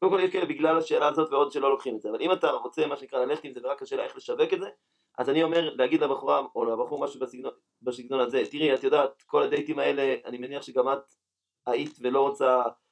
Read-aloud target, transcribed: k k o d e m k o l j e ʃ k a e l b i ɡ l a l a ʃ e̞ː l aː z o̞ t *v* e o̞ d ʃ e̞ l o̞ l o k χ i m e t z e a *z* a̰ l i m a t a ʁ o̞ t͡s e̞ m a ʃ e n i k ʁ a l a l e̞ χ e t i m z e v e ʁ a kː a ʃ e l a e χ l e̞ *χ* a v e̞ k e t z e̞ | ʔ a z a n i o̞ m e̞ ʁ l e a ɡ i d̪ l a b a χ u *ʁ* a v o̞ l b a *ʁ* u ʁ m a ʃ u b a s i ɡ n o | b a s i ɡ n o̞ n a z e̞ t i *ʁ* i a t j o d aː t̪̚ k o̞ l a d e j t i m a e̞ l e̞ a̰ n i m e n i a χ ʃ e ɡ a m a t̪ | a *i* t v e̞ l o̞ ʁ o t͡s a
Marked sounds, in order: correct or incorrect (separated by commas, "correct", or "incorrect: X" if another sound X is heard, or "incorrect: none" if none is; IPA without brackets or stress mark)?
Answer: correct, incorrect: v, incorrect: ʃ, correct, incorrect: χ, correct, correct